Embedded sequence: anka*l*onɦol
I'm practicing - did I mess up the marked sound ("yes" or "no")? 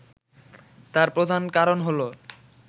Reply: yes